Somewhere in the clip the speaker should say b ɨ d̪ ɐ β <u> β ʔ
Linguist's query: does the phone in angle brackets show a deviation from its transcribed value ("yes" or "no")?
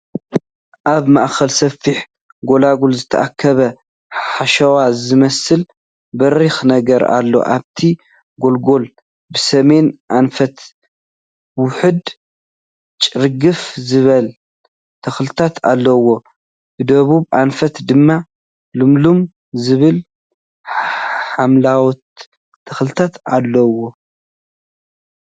no